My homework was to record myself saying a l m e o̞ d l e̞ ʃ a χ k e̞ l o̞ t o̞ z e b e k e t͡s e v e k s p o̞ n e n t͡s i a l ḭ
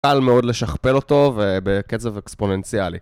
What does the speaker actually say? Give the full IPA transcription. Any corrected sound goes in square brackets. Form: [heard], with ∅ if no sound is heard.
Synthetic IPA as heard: a l m e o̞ d l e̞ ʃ a χ [p] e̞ l o̞ t o̞ [v] e b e k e t͡s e v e k s p o̞ n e n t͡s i a l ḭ